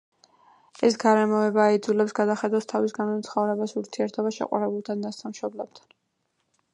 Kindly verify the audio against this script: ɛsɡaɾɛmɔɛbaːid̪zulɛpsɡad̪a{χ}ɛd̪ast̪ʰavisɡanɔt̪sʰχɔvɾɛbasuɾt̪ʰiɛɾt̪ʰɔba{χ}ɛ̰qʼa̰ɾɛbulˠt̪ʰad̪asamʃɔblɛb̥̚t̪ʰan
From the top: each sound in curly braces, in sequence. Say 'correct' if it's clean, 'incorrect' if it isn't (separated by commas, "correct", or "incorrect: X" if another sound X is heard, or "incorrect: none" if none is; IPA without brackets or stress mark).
correct, incorrect: ʃ